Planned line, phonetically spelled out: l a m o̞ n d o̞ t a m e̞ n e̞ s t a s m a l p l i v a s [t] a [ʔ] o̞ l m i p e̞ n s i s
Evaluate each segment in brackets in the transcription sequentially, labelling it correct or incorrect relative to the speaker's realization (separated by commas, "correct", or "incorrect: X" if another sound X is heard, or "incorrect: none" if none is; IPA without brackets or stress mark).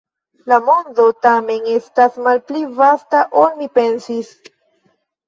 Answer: correct, correct